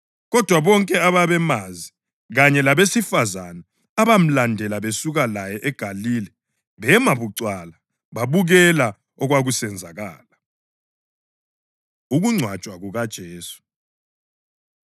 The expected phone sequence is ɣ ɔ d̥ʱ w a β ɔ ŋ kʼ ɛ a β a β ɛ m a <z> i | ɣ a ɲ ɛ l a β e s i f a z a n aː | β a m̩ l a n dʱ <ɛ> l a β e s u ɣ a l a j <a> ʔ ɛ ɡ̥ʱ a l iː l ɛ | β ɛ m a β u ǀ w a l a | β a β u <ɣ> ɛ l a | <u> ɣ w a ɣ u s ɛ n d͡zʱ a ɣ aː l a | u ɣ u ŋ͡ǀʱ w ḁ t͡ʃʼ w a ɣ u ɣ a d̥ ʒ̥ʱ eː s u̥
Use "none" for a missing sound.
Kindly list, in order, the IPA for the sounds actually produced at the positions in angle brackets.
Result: z, ɛ, ɛ, ɣ, ɔ

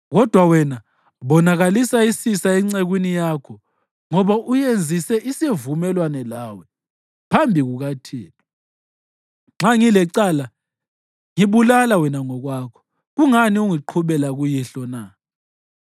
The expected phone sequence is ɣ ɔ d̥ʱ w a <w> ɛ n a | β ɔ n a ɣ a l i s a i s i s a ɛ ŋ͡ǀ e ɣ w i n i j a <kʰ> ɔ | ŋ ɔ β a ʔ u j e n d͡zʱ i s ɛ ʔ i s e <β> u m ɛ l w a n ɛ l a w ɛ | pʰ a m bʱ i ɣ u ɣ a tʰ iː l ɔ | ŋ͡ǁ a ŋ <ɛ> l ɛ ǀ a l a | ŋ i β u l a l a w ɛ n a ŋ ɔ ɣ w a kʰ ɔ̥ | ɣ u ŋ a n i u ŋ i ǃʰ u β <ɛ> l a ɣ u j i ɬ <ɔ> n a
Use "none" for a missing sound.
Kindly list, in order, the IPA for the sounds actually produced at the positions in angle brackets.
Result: w, kʰ, v, i, ɛ, ɔ

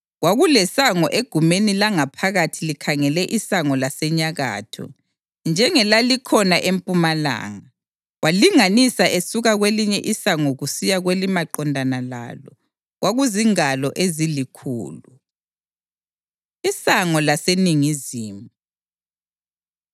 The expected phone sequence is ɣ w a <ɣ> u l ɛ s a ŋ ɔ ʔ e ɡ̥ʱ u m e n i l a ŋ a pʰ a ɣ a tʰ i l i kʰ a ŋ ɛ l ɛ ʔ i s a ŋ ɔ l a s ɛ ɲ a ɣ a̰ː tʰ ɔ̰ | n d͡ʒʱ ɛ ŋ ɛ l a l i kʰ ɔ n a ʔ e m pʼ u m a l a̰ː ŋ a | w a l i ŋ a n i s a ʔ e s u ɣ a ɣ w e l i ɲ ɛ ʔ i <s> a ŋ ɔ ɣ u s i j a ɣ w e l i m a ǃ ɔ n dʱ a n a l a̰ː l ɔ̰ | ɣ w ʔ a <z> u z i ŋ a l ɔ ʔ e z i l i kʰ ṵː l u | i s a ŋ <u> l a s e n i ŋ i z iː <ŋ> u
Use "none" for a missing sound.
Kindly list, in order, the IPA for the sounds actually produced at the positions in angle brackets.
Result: ɣ, s, ɣ, ɔ, m

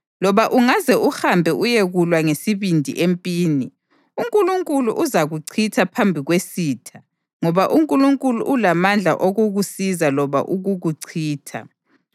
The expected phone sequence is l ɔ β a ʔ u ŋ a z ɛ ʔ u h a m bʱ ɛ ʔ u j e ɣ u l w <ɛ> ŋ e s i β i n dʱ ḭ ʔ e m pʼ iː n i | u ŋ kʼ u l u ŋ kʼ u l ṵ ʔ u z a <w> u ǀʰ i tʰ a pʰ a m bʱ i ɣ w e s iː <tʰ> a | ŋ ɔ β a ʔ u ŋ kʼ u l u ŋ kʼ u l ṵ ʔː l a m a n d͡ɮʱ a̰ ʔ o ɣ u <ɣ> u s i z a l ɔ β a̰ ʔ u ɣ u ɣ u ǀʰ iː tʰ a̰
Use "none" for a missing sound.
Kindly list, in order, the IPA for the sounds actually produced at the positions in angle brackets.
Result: a, ɣ, tʰ, ɣ

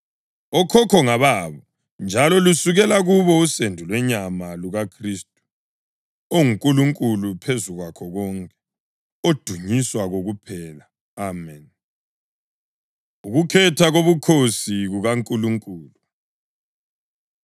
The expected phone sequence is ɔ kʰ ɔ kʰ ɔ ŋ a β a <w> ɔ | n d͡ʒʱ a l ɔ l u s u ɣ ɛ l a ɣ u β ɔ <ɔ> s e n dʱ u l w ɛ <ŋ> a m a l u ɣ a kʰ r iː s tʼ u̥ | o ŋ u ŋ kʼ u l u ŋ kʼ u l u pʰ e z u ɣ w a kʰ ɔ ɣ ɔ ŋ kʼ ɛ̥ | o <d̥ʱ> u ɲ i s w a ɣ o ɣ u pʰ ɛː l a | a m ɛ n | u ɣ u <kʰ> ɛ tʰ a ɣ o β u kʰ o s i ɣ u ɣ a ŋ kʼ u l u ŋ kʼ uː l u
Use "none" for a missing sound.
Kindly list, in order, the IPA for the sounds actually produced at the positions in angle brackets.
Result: β, u, ɲ, d̥ʱ, kʰ

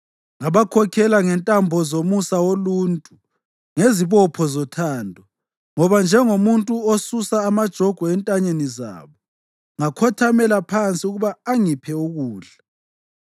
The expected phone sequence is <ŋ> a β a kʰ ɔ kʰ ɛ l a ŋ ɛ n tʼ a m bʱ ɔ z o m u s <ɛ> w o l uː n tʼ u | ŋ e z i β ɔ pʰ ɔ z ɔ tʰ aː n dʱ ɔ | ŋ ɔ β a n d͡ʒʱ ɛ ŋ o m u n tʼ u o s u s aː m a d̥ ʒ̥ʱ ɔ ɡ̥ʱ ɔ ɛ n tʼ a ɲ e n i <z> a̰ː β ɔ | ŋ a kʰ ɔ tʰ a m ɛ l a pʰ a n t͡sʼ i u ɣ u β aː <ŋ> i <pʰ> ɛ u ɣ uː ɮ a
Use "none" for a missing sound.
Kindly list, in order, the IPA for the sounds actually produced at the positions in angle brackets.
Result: ŋ, a, z, ŋ, pʰ

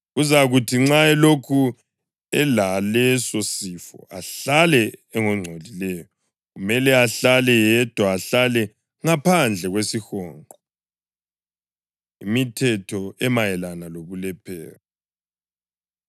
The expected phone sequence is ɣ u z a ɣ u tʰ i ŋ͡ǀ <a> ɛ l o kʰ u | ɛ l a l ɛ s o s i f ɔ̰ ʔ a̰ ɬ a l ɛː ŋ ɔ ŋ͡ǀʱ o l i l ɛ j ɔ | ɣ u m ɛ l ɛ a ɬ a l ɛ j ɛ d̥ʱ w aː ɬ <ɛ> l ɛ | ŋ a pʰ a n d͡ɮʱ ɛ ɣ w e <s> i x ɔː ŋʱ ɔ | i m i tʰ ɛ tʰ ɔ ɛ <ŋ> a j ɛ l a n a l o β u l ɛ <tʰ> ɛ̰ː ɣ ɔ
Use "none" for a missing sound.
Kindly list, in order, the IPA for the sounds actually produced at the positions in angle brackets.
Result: a, a, s, m, pʰ

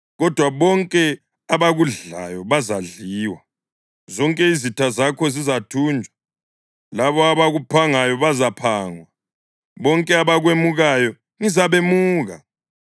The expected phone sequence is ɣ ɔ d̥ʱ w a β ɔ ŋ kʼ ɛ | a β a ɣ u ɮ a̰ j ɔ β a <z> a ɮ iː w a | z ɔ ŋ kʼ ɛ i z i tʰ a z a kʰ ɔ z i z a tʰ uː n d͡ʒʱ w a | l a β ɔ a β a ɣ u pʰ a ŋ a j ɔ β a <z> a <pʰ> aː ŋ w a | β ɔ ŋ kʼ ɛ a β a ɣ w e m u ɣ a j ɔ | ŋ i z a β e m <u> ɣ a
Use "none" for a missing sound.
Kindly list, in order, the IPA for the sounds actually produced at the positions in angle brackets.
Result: z, z, pʰ, uː

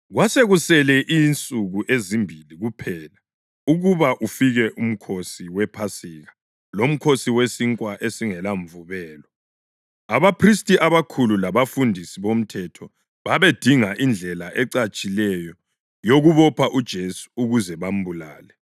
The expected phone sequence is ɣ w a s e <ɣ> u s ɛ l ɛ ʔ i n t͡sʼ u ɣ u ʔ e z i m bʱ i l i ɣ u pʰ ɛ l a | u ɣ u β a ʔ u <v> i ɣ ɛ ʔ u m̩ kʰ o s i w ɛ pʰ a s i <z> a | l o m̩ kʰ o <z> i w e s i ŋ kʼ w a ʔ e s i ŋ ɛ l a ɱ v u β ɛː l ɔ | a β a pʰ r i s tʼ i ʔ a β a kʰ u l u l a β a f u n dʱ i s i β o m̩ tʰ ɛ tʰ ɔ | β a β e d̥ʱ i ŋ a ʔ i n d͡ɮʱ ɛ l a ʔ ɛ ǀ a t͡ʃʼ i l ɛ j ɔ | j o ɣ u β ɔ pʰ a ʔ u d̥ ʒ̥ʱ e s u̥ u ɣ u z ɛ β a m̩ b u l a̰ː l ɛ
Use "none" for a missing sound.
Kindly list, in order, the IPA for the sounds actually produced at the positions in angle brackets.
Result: ɣ, f, ɣ, s

